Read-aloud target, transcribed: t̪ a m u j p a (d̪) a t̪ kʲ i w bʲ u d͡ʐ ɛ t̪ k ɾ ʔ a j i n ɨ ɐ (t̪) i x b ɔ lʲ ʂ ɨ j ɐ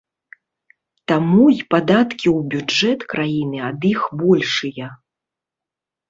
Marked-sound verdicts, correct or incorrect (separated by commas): correct, incorrect